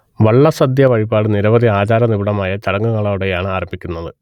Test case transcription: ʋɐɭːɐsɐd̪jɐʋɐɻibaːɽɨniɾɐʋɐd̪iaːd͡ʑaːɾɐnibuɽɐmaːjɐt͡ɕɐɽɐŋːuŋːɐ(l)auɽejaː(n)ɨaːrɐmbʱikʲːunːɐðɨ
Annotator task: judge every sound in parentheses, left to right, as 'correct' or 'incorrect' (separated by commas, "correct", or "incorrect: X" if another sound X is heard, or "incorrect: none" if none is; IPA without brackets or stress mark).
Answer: incorrect: ɭ, incorrect: ɳ